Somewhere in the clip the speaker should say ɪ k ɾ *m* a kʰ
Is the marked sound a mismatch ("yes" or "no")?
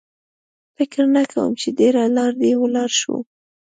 yes